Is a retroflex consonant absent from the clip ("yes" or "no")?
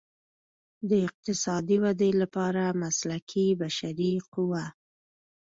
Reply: yes